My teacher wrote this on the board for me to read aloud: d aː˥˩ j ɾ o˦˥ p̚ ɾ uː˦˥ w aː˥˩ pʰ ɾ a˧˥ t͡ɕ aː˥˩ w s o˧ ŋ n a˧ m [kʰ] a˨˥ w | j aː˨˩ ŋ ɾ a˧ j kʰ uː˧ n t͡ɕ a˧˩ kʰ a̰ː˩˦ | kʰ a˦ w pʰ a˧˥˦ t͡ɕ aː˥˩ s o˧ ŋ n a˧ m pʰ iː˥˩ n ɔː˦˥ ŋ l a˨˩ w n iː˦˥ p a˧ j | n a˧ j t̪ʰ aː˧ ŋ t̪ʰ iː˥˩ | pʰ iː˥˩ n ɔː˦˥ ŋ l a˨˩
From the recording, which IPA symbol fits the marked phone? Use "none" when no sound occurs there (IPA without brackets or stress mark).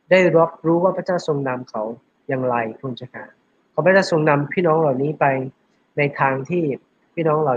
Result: kʰ